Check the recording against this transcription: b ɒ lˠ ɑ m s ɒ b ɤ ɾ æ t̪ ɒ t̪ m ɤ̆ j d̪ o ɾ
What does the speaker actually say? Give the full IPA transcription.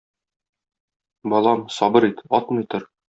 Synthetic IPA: b ɒ lˠ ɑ m s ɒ b ɤ ɾ i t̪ ɒ t̪ m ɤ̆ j t̪ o ɾ